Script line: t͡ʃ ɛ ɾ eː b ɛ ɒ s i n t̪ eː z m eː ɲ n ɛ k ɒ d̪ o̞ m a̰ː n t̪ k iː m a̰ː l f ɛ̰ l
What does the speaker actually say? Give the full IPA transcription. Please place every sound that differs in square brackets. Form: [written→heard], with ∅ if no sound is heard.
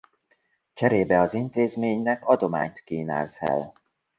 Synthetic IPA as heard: t͡ʃ ɛ ɾ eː b ɛ ɒ [s→z] i n t̪ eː z m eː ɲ n ɛ k ɒ d̪ o̞ m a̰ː [n→ɲ] t̪ k iː [m→n] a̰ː l f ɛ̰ l